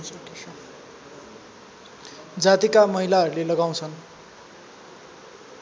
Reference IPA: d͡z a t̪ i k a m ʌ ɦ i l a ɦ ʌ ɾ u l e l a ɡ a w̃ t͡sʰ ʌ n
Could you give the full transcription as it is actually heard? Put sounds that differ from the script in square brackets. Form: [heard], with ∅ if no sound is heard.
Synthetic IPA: d͡z a t̪ i k a m ʌ ɦ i l a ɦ ʌ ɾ u l e l [ʌ] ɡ a w̃ t͡sʰ ʌ n